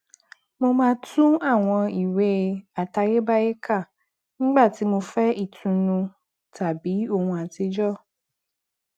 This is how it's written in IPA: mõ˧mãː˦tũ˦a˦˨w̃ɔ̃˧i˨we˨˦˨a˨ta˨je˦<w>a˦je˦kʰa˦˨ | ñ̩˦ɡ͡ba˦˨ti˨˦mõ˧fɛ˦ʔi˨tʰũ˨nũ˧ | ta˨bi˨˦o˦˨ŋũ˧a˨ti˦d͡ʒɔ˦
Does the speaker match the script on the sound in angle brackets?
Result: no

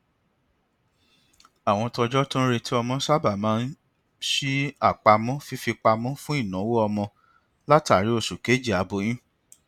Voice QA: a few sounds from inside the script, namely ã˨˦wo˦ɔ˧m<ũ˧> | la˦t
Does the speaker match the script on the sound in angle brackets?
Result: no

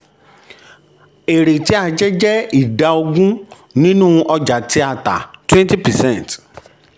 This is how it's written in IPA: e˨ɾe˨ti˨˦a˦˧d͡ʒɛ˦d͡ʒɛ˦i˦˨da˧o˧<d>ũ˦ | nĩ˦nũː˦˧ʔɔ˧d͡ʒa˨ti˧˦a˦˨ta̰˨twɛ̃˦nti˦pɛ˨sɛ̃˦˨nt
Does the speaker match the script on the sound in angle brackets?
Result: no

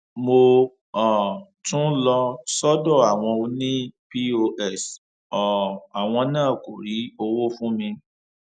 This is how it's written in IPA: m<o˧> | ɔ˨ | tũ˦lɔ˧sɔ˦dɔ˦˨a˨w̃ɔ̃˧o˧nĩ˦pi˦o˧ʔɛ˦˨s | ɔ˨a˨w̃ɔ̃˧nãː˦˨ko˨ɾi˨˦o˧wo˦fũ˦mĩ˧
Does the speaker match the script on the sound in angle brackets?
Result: yes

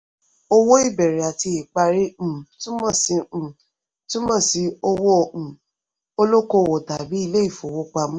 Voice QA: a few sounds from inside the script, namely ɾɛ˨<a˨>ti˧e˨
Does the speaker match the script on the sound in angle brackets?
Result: yes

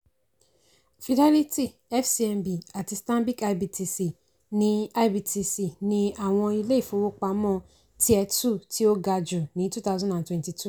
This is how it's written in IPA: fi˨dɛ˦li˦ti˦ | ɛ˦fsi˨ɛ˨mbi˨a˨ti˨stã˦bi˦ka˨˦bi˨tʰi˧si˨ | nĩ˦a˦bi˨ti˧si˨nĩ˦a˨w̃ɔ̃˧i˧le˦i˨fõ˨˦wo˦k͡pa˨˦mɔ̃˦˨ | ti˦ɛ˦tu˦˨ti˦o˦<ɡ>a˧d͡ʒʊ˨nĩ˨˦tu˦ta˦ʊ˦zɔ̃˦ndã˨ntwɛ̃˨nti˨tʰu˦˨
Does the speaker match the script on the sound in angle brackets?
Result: yes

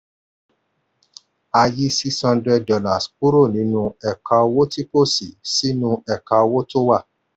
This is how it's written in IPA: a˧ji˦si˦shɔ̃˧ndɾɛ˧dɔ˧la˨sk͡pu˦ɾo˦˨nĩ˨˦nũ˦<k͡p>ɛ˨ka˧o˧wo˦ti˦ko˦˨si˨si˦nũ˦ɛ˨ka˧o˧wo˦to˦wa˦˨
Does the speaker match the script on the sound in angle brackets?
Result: no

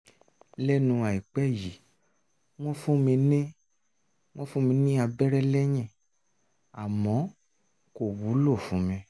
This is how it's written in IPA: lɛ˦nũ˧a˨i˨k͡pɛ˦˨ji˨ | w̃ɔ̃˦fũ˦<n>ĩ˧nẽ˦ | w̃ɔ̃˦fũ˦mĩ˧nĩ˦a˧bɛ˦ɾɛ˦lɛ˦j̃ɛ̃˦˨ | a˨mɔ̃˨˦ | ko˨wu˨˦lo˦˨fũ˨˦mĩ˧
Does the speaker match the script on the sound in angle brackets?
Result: no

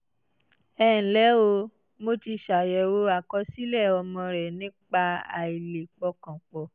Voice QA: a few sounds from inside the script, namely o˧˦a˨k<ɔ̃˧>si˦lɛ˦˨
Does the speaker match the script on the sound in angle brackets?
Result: no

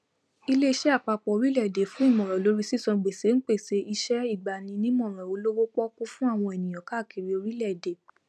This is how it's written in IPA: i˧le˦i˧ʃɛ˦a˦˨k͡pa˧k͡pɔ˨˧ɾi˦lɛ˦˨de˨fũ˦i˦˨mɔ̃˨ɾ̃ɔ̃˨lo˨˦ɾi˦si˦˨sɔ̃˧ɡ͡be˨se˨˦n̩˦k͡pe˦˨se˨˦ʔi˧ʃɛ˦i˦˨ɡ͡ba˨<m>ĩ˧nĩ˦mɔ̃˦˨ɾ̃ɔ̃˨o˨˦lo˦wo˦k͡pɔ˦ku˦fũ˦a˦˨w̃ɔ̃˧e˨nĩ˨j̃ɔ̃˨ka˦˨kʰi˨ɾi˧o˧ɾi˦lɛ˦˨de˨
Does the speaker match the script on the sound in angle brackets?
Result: no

